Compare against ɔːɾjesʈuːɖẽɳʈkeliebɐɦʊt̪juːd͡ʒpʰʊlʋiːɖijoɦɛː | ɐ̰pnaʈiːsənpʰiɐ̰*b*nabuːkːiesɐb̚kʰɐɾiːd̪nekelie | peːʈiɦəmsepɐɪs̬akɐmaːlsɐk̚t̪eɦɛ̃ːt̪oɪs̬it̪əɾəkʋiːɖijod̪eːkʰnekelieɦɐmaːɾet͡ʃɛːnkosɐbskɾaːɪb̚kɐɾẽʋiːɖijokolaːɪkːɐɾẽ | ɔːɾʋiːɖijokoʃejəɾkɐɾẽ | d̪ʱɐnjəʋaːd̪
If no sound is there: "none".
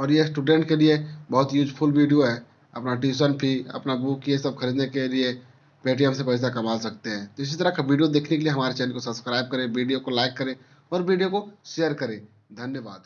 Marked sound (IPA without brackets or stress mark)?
p